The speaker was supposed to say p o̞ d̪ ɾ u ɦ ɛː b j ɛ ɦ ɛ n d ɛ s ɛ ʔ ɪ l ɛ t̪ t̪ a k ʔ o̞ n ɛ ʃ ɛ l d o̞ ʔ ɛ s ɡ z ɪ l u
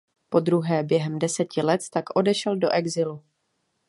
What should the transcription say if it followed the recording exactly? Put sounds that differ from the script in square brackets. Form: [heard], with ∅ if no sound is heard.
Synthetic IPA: p o̞ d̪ ɾ u ɦ ɛː b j ɛ ɦ ɛ [m] d ɛ s ɛ [c] ɪ l ɛ t̪ t̪ a k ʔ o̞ [d] ɛ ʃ ɛ l d o̞ ʔ ɛ [∅] ɡ z ɪ l u